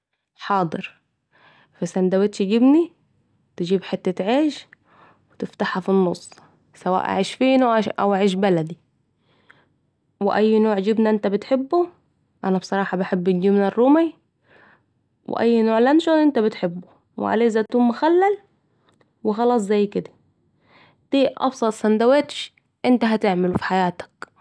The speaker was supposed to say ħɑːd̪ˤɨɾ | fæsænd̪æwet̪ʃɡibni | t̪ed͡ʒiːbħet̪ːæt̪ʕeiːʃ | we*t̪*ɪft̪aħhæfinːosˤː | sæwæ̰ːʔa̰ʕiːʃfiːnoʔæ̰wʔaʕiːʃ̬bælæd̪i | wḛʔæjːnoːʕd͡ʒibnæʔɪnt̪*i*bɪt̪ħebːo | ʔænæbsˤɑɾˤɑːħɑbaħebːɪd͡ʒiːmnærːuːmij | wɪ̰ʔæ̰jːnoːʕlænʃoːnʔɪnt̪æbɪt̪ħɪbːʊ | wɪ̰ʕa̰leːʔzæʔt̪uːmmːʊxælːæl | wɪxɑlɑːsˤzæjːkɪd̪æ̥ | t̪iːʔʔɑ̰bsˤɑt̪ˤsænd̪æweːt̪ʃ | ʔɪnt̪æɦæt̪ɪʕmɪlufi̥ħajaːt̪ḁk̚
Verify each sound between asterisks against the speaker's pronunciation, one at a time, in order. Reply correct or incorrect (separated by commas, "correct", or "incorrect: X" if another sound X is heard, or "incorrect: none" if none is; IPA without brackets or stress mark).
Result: correct, incorrect: æ